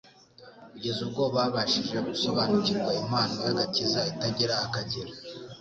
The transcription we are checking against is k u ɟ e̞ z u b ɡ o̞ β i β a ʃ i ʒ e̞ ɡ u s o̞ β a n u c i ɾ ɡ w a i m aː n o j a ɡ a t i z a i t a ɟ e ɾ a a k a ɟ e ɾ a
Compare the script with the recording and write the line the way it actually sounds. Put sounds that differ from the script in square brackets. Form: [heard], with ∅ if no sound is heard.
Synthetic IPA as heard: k u ɟ e̞ z u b ɡ o̞ β [a] β a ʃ i ʒ e̞ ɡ u s o̞ β a n u c i ɾ ɡ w a i m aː n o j a ɡ a t i z a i t a ɟ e ɾ a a k a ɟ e ɾ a